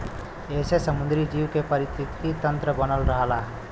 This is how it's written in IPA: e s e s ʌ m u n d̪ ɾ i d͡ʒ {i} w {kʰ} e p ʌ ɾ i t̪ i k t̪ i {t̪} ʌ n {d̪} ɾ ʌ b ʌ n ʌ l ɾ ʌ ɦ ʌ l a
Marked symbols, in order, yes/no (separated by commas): yes, no, yes, no